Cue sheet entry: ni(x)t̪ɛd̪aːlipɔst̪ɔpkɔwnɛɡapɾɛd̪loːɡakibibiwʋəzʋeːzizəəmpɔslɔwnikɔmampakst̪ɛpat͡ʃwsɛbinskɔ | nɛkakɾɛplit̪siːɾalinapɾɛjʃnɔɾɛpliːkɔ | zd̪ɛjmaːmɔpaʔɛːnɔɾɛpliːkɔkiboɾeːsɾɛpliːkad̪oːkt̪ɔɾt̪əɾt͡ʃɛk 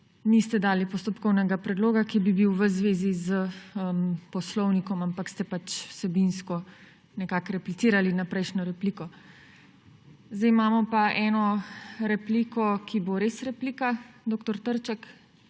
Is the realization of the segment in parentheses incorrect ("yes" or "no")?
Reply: yes